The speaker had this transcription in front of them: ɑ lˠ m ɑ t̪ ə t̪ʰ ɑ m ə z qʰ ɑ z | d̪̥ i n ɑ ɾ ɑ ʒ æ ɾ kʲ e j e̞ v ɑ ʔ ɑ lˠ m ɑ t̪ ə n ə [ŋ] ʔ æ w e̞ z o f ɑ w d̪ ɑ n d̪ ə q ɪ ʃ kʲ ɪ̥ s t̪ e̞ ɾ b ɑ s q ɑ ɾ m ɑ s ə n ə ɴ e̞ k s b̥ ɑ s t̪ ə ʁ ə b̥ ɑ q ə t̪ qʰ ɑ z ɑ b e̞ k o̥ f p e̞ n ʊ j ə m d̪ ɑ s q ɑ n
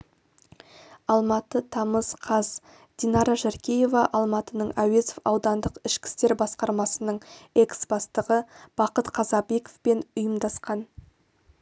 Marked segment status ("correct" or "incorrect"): incorrect